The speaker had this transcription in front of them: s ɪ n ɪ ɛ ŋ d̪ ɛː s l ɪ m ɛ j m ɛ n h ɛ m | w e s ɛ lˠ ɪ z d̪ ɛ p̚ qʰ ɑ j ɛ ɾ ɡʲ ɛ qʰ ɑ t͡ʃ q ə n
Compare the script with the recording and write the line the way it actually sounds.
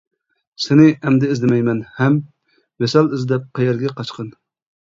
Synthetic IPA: s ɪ n ɪ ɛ m d̪ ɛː z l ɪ m ɛ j m ɛ n h ɛ m | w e s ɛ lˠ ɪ z d̪ ɛ p̚ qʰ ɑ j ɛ ɾ ɡʲ ɛ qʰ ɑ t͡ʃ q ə n